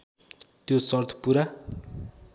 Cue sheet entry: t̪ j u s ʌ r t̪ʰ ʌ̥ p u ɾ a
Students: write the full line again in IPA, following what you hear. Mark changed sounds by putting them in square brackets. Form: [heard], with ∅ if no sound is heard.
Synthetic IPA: t̪ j [o] s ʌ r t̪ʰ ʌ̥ p u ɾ a